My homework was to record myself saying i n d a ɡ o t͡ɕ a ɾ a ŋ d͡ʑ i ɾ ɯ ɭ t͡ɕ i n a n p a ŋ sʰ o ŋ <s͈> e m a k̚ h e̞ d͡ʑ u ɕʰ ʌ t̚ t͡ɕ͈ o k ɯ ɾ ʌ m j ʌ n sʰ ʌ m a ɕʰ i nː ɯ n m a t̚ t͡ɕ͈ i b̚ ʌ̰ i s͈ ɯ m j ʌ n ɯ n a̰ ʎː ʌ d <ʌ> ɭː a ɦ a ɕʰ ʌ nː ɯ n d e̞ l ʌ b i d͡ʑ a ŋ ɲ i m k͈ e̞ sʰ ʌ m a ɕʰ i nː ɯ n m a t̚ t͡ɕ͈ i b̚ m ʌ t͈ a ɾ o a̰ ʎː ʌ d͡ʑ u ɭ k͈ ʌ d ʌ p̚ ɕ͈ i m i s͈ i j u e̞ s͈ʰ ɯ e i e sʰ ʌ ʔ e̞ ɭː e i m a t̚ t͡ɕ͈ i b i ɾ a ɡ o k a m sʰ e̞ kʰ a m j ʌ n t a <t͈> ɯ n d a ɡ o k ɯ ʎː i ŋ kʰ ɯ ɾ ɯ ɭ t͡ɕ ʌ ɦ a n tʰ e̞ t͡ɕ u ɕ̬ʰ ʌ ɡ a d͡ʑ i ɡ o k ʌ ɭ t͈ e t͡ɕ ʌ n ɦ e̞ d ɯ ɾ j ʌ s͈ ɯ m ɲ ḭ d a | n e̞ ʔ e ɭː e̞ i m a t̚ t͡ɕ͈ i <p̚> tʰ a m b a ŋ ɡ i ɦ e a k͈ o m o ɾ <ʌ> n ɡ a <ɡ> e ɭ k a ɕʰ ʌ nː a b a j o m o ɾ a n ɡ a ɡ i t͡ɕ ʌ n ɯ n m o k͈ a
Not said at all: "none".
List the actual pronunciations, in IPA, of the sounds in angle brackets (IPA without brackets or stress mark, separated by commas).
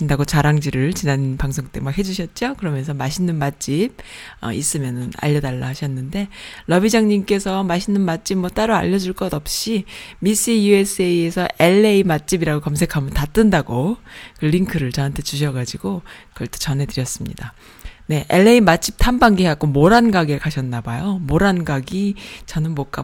t͈, a, t͈, p̚, a, ɡ